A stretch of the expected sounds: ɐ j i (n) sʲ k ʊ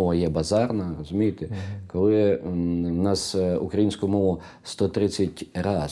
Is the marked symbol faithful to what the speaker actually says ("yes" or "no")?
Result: yes